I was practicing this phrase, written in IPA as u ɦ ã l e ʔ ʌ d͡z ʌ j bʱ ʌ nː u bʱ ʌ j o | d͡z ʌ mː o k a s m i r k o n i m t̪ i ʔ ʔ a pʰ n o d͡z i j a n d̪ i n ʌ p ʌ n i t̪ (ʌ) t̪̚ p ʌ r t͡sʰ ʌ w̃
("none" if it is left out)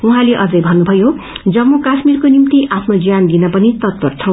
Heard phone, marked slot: ʌ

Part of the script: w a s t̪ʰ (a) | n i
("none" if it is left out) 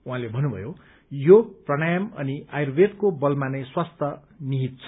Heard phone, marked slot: ʌ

